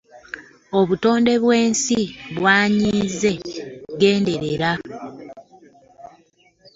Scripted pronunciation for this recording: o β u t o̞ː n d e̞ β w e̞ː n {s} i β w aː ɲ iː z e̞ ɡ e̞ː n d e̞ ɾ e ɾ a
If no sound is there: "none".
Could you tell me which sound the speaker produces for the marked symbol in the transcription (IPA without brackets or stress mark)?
s